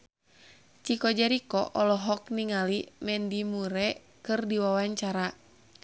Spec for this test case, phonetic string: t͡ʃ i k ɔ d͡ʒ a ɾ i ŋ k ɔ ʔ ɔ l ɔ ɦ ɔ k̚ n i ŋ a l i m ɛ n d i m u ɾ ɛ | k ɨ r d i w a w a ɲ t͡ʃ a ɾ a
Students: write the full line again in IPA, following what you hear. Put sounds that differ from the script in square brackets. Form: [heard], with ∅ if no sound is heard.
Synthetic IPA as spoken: t͡ʃ i k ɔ d͡ʒ a ɾ i [∅] k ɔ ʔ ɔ l ɔ ɦ ɔ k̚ n i ŋ a l i m ɛ n d i m u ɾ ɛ | k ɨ r d i w a w a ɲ t͡ʃ a ɾ a

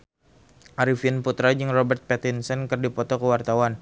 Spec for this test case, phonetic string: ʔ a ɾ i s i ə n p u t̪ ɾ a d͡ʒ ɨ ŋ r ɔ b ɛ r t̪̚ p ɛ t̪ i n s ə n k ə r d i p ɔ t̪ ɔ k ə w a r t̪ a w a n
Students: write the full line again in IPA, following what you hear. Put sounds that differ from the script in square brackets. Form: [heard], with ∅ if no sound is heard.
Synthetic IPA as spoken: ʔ a ɾ i [f] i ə n p u t̪ ɾ a d͡ʒ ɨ ŋ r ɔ b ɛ r t̪̚ p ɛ t̪ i n s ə n k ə r d i p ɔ t̪ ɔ k ə w a r t̪ a w a n

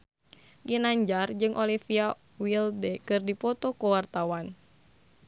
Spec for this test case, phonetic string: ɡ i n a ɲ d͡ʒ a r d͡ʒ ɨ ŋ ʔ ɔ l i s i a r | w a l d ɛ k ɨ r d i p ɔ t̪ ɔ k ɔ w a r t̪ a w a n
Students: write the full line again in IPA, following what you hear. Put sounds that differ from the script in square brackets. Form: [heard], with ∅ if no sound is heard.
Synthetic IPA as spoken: ɡ i n a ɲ d͡ʒ a r d͡ʒ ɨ ŋ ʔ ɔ l i [f] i a [∅] | w [i] l d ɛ k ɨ r d i p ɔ t̪ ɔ k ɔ w a r t̪ a w a n

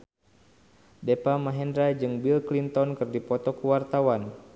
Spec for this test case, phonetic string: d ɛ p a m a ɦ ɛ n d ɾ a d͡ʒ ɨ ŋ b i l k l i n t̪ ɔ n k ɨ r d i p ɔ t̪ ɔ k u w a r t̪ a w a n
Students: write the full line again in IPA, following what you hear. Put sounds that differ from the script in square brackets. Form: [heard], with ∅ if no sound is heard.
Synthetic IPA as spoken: d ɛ p a m a ɦ ɛ n d ɾ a d͡ʒ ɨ ŋ b i l k l i n t̪ ɔ n k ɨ r d i p ɔ t̪ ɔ k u w a r t̪ a w a n

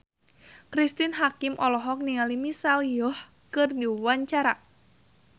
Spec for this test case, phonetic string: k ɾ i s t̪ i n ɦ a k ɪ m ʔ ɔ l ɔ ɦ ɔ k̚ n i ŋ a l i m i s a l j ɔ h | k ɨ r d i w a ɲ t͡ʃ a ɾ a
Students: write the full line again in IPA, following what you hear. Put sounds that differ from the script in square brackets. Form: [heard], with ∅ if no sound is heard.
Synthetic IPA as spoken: k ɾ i s t̪ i n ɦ a k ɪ m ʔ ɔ l ɔ ɦ ɔ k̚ n i ŋ a l i m i s a l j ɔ h | k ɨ r d i w a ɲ t͡ʃ a ɾ a

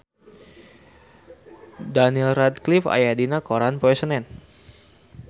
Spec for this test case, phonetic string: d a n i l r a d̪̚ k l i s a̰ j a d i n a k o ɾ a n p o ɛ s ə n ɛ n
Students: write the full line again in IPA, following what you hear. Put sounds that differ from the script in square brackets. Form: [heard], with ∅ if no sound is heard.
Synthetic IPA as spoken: d a n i l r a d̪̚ k l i [f] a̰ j a d i n a k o ɾ a n p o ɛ s ə n ɛ n

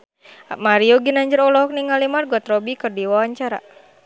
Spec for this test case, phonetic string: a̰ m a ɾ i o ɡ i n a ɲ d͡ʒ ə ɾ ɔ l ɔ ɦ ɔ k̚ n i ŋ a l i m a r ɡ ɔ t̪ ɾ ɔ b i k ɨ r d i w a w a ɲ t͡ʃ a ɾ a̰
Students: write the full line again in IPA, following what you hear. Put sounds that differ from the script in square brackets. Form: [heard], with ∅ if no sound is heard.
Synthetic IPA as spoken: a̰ m a ɾ i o ɡ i n a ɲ d͡ʒ ə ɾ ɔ l ɔ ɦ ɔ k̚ n i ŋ a l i m a r ɡ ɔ t̪ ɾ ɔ b i k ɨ r d i w a w a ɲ t͡ʃ a ɾ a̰

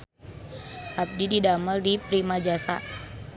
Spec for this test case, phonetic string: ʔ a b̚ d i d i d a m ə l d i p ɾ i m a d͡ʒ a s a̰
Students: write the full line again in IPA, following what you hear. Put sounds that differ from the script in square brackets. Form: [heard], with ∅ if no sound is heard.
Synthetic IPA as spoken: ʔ a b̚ d i d i d a m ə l d i p ɾ i m a d͡ʒ a s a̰

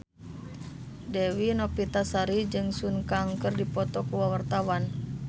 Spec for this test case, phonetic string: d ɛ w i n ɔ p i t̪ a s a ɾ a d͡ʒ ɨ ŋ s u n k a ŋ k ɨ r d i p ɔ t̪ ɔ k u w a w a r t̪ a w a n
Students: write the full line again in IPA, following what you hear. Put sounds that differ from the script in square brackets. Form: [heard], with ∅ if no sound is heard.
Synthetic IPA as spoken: d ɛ w i n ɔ p i t̪ a s a ɾ [i] d͡ʒ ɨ ŋ s u n k a ŋ k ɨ r d i p ɔ t̪ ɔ k u w a w a r t̪ a w a n

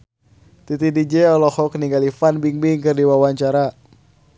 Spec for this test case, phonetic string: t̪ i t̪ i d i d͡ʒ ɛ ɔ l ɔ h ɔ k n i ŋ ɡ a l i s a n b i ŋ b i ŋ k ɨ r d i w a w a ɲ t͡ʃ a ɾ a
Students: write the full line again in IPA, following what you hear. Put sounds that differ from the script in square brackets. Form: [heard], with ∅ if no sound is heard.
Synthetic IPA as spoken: t̪ i t̪ i d i d͡ʒ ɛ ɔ l ɔ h ɔ k n i ŋ ɡ a l i [f] a n b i ŋ b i ŋ k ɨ r d i w a w a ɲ t͡ʃ a ɾ a

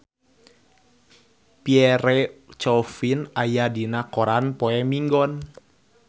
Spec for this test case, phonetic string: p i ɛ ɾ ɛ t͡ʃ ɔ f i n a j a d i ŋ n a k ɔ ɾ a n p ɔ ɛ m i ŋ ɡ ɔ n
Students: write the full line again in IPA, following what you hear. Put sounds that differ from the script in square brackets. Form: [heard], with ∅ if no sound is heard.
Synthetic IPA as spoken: p i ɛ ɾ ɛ t͡ʃ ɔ f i n a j a d i [∅] n a k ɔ ɾ a n p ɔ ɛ m i ŋ ɡ ɔ n

